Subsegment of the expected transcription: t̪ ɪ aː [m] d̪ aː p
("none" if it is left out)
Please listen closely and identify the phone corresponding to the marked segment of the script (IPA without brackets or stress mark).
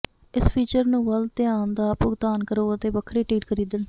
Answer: n